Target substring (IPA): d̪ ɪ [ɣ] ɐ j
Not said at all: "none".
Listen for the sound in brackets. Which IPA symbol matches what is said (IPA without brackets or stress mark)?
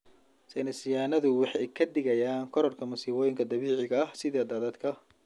ɣ